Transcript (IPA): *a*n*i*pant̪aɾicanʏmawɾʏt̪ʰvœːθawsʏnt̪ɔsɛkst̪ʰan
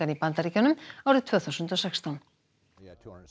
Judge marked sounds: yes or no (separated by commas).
yes, yes